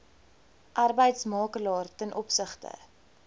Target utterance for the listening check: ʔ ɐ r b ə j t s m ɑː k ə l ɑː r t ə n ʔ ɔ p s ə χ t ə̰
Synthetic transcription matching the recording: ʔ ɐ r b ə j t s m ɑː k ə l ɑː r t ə n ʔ ɔ p s ə χ t ə̰